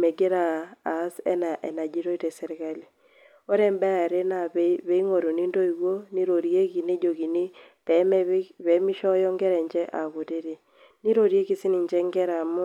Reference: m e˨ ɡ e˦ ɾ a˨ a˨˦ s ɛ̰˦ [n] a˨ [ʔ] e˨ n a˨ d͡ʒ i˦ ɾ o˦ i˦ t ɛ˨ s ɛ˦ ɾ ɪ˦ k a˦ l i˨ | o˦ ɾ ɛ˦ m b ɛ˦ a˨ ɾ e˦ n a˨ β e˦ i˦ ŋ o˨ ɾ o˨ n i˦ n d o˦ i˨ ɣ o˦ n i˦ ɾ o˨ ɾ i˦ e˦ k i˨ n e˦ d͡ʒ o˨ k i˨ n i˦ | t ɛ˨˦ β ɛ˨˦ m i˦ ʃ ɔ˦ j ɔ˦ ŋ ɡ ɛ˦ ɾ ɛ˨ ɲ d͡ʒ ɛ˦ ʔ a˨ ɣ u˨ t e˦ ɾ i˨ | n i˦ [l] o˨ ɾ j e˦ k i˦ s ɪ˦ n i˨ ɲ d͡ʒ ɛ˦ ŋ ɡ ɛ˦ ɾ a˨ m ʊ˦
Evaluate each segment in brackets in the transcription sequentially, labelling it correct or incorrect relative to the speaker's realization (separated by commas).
correct, correct, incorrect